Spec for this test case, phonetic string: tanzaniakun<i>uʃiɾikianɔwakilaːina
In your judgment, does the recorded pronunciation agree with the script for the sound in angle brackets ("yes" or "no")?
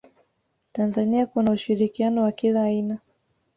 no